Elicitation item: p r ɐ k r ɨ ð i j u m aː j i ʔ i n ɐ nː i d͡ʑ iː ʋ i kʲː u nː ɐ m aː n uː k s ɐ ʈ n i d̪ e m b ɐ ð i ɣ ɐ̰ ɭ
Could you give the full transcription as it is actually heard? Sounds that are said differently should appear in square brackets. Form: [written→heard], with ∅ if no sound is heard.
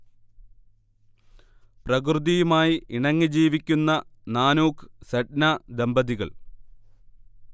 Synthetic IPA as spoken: p r ɐ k r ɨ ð i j u m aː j i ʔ i [n→ɳ] ɐ [nː→ŋː] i d͡ʑ iː ʋ i kʲː u nː ɐ [m→n] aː n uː k s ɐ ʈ n [i→a] d̪ e m b ɐ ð i ɣ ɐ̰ ɭ